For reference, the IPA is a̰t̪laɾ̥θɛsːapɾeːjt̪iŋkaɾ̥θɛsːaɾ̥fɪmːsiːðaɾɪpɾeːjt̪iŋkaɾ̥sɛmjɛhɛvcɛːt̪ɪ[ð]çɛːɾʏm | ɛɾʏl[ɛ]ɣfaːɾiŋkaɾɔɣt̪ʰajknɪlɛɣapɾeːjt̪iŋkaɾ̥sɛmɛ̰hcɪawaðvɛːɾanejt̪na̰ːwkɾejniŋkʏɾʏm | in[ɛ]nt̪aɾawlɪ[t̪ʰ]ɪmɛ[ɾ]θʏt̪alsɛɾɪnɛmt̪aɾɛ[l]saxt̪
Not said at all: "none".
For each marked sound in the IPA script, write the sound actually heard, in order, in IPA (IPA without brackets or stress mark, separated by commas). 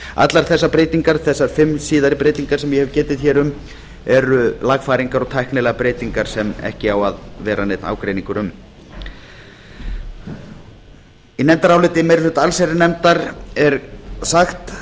ð, a, ɛ, t̪, ɾ, ɾ